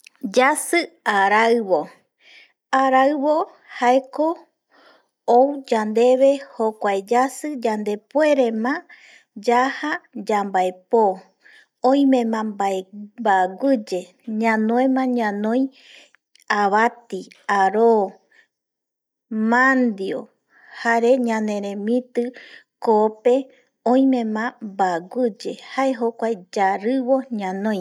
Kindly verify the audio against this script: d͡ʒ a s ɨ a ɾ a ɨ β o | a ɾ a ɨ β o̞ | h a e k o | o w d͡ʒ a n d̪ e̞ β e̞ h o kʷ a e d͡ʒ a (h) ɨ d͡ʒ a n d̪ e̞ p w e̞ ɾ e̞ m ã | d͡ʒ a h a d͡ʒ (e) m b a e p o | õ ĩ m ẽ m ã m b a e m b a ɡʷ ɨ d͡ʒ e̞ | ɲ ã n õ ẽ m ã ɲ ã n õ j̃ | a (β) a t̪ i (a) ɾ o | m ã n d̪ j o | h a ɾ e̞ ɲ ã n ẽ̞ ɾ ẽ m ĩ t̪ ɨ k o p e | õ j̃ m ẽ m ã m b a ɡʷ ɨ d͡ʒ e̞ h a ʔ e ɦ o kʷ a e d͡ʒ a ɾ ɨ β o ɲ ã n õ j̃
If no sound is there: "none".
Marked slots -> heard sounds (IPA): s, a, β, a

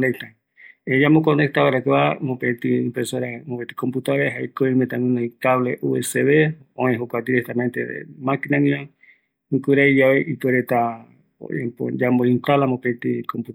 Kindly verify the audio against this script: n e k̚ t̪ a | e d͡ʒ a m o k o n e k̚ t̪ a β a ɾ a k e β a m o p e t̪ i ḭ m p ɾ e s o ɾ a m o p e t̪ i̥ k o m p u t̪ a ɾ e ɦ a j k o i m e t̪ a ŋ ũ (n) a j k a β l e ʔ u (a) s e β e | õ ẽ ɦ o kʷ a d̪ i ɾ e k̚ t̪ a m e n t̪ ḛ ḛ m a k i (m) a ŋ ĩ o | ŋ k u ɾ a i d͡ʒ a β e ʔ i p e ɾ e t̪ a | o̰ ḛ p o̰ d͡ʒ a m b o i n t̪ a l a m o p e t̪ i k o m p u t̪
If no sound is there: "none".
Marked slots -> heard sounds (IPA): n, e, n

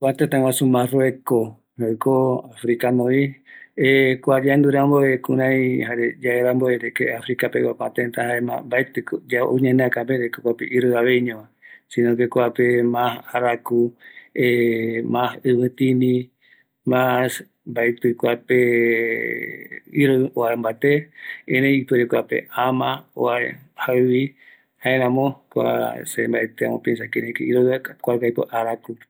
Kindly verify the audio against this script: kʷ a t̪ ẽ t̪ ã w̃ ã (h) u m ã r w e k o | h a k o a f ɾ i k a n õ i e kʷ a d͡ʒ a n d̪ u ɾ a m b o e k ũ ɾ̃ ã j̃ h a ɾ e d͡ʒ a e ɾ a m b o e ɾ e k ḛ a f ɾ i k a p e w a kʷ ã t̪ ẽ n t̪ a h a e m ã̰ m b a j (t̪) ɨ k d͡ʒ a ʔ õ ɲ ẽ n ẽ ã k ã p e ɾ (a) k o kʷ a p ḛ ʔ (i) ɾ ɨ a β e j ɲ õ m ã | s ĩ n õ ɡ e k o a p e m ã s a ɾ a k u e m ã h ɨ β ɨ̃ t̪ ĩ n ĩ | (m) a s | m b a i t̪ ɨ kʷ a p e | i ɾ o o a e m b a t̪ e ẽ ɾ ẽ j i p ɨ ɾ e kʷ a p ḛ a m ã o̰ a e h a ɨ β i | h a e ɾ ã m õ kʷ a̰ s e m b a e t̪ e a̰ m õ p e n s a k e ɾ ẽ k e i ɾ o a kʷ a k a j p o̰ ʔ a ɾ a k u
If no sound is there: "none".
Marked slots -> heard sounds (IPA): s, t̪, e, i, m

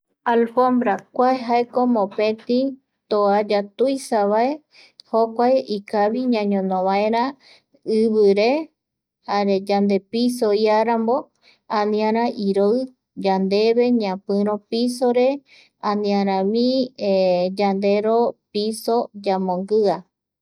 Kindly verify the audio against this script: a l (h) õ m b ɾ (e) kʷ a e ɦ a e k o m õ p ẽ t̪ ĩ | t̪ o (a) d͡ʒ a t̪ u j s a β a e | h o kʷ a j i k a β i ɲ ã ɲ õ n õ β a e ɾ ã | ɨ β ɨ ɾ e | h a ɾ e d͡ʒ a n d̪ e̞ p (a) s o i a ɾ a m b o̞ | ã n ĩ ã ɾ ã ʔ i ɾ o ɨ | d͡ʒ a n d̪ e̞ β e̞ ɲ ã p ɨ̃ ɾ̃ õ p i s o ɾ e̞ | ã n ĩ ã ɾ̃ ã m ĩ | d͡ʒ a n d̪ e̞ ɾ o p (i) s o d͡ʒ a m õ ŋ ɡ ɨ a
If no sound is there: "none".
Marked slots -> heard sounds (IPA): f, a, a, i, i

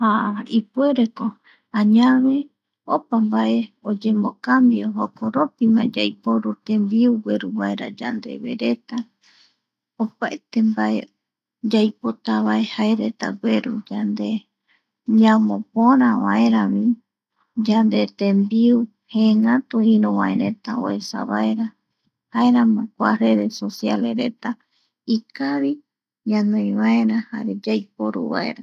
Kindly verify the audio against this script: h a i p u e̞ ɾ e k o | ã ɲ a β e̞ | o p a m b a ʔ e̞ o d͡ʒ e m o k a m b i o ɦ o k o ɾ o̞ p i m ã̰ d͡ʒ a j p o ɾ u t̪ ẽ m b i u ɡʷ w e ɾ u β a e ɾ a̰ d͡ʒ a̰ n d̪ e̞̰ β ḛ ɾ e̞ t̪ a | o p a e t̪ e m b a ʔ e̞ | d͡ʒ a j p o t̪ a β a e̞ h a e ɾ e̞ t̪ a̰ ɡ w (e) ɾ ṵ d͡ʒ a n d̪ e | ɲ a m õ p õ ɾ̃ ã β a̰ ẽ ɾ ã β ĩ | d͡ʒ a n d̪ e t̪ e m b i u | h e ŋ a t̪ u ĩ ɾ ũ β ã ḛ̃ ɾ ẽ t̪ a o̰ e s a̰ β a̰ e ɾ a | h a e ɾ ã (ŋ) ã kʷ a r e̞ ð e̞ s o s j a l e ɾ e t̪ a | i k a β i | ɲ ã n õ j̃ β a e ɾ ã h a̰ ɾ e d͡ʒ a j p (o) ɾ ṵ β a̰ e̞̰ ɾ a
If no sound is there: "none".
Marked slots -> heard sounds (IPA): e, m, o

